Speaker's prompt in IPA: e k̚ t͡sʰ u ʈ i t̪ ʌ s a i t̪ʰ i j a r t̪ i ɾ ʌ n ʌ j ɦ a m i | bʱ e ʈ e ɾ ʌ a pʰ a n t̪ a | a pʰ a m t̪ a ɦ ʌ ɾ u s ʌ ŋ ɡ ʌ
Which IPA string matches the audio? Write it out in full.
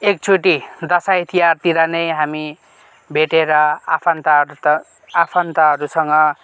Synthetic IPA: e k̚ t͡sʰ u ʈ i d̪ ʌ s a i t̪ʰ i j a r t̪ i ɾ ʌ n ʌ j ɦ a m i | bʱ e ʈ e ɾ ʌ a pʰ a n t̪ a | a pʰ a n t̪ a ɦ ʌ ɾ u s ʌ ŋ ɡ ʌ